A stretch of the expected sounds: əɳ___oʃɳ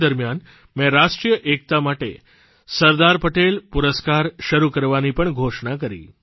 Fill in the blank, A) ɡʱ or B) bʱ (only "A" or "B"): A